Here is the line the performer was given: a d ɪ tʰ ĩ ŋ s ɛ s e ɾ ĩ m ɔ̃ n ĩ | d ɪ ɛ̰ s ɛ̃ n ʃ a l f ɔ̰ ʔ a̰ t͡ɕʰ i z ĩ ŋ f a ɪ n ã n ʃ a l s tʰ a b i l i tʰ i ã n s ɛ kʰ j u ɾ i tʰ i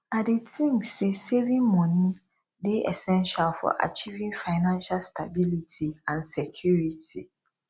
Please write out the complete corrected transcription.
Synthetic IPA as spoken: a d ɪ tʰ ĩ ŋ s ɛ s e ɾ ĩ m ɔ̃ n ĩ | d ɪ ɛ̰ s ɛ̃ n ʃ a l f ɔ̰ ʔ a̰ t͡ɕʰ i v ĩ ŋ f a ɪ n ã n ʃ a l s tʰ a b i l i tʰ i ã n s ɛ kʰ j u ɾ i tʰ i